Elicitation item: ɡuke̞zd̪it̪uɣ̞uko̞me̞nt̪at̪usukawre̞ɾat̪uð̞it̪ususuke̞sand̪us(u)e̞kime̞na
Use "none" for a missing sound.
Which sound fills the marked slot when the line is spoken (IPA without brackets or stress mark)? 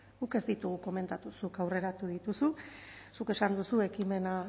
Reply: u